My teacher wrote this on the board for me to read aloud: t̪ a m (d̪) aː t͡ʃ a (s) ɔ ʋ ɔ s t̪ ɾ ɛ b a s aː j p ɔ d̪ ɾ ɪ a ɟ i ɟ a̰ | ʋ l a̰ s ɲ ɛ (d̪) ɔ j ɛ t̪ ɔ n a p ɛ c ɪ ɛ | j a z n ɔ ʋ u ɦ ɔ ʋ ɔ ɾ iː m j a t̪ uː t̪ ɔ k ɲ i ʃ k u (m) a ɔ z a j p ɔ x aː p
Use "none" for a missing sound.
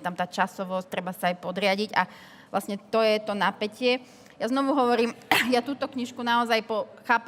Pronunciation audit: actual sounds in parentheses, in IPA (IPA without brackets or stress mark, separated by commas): t̪, s, t̪, n